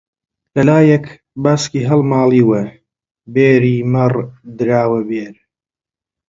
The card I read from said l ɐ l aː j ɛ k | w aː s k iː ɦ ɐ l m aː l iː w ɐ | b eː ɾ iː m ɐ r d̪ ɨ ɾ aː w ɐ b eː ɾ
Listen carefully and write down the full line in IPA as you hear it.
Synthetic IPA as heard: l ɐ l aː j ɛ k | b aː s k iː ɦ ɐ l m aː l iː w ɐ | b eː ɾ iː m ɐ r d̪ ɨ ɾ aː w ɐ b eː ɾ